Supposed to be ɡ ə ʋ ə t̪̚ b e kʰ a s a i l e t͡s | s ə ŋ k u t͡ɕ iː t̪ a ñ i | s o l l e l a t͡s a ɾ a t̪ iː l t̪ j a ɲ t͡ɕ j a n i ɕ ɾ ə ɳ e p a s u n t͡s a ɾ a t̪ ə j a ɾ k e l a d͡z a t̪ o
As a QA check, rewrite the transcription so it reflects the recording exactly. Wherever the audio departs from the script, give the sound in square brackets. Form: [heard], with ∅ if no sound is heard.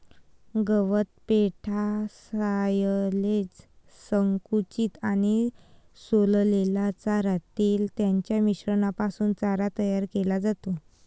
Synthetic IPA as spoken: ɡ ə ʋ ə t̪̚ [p] e [ʈʰ] a s a [j] l e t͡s | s ə ŋ k u t͡ɕ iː t̪ a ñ i | s o l l e l a t͡s a ɾ a t̪ iː l t̪ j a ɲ t͡ɕ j a [m] i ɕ ɾ ə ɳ [a] p a s [uː] n t͡s a ɾ a t̪ ə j a ɾ k e l a d͡z a t̪ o